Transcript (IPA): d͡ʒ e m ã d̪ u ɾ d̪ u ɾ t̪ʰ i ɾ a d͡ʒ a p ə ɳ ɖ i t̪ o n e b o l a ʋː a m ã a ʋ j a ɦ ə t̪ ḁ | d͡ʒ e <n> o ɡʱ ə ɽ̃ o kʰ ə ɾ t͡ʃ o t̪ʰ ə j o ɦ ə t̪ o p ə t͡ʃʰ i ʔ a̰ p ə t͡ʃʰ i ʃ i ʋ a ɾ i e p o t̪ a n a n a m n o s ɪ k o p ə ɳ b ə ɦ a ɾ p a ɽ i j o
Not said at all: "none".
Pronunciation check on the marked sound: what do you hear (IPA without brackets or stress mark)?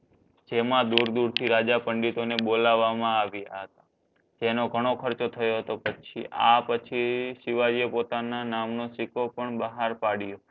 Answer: n